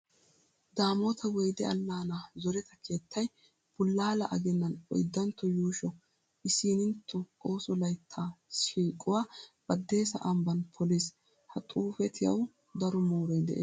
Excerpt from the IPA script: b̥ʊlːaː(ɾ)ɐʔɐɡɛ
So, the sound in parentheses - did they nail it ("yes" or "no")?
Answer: no